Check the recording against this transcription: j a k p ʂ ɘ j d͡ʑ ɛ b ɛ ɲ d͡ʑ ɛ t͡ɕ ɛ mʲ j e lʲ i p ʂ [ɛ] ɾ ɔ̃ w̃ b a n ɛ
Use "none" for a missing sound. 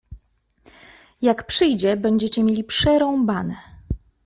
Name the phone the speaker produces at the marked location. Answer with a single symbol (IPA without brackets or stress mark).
ɛ